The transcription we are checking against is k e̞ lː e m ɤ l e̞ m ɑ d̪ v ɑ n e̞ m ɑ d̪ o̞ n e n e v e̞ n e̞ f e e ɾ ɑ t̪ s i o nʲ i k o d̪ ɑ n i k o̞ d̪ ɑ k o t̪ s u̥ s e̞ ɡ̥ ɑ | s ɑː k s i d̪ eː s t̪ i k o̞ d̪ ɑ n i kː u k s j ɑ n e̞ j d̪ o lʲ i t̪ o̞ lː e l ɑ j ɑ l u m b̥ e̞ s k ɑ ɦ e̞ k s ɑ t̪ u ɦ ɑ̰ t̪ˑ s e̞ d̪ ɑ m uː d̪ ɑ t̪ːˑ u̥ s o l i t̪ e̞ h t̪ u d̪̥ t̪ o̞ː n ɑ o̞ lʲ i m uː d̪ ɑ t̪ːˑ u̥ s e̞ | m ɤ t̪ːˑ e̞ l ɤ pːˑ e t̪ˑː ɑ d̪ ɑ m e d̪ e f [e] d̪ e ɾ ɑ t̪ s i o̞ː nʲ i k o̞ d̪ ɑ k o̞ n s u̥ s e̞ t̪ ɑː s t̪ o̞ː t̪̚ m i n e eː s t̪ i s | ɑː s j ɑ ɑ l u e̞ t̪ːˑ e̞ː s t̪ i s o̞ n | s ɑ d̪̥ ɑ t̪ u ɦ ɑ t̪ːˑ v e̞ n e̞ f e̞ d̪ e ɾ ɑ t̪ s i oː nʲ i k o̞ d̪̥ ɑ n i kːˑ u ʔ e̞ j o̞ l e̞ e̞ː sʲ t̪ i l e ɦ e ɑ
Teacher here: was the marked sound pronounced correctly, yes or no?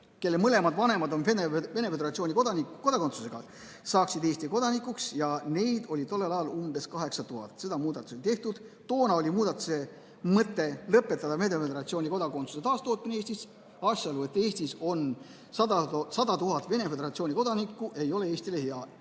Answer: yes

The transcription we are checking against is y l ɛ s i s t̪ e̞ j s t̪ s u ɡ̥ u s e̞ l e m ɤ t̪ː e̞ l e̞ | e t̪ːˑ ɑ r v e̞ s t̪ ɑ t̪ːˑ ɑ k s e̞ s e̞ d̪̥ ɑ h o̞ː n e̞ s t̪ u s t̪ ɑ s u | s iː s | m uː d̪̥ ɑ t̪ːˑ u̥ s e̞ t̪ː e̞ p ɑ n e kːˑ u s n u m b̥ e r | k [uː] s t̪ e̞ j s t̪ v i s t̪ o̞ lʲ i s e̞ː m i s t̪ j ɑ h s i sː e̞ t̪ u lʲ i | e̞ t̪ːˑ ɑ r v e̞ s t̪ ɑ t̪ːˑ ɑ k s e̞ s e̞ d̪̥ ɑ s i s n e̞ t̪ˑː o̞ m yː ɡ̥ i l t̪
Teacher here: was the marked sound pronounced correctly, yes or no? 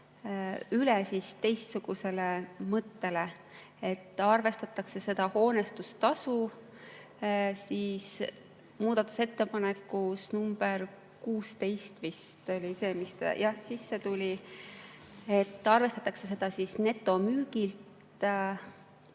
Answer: yes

